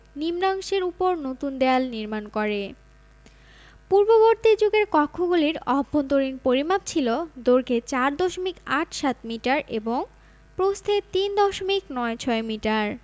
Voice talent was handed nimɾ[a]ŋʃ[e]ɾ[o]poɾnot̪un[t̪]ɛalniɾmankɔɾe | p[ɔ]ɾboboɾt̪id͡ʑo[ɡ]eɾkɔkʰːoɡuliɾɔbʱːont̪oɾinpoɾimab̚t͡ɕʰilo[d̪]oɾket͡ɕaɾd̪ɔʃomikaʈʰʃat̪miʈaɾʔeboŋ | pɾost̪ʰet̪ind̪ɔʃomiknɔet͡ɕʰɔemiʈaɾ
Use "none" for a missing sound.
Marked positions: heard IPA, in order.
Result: a, e, u, d̪, u, ɡ, d̪

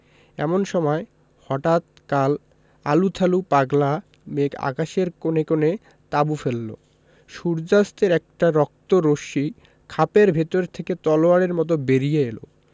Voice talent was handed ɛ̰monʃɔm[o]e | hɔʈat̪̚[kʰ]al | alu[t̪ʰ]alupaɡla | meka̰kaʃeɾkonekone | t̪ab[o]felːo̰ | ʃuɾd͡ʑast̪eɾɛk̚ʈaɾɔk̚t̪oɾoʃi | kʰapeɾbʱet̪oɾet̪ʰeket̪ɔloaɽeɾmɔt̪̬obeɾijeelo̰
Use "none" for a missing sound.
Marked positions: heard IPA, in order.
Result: ɔ, k, t̪ʰ, u

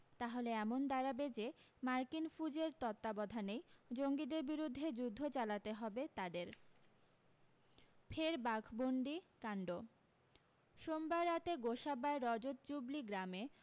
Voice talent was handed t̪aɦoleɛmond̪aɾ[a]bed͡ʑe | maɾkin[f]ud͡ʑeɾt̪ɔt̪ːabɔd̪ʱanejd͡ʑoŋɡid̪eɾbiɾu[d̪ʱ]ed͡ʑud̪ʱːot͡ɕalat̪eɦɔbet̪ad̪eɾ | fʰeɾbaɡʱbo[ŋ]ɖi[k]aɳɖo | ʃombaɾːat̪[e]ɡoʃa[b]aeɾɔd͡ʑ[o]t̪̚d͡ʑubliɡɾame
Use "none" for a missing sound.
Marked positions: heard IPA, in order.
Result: a, f, d̪ʱː, ɳ, k, e, b, o

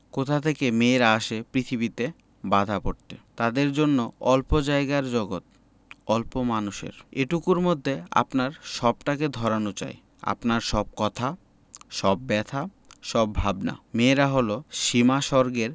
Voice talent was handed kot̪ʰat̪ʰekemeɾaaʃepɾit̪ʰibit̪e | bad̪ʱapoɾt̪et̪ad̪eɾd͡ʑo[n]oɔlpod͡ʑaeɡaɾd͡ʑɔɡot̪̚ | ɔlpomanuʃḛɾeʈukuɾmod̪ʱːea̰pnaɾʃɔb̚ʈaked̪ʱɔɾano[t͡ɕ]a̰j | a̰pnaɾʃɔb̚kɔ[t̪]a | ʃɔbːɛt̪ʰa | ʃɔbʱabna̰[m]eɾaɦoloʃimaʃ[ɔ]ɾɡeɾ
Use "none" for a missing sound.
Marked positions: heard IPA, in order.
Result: nː, t͡ɕ, t̪ʰ, m, ɔ

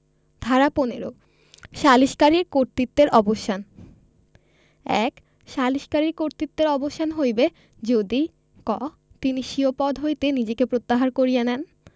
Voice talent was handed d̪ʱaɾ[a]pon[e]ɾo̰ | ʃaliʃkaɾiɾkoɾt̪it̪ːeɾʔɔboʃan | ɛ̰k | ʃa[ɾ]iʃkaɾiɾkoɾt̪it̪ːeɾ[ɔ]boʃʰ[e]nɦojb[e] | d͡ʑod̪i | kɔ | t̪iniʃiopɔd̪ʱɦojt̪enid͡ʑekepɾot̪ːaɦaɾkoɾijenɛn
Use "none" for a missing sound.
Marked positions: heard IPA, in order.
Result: a, e, l, ɔ, a, e

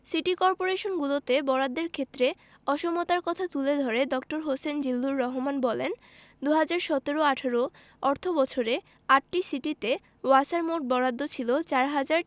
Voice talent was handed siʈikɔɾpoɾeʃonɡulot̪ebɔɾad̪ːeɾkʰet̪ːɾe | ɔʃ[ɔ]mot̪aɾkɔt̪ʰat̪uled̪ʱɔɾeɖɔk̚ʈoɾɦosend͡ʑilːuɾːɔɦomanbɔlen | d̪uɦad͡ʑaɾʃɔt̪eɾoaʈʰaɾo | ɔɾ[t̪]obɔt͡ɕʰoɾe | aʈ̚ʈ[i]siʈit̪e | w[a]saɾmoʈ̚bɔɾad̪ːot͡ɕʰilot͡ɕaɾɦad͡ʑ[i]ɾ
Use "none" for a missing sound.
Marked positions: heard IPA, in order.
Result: o, t̪ʰ, i, a, a

